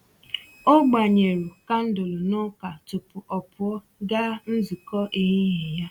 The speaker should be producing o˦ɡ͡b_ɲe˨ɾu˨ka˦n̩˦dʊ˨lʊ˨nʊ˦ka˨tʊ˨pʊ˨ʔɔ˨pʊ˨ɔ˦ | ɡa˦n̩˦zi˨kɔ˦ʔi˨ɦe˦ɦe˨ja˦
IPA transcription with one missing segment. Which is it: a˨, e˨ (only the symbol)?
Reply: a˨